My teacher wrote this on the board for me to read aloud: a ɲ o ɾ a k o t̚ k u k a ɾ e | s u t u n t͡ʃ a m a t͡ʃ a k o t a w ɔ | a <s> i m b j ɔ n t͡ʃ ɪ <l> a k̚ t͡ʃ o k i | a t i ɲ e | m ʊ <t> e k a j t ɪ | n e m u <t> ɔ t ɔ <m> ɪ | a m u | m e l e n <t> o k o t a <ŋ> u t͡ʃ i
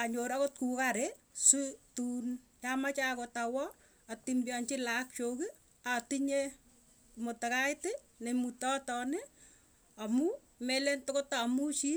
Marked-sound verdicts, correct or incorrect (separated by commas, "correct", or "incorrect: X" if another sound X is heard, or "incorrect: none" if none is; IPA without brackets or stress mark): incorrect: t, correct, correct, correct, incorrect: n, correct, incorrect: m